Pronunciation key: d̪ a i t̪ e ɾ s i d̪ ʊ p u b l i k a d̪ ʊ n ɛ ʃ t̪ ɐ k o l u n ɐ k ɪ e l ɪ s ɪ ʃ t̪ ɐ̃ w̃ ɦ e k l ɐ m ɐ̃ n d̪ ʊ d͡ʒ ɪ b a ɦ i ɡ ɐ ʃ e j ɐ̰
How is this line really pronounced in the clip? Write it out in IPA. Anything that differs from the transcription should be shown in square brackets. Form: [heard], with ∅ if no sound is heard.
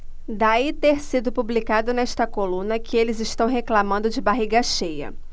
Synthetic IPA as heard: d̪ a i t̪ e ɾ s i d̪ ʊ p u b l i k a d̪ ʊ n ɛ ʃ t̪ ɐ k o l [ũ] n ɐ k ɪ e l ɪ [z] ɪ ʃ t̪ ɐ̃ w̃ ɦ e k l [a] m ɐ̃ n d̪ ʊ d͡ʒ ɪ b a ɦ i ɡ ɐ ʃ e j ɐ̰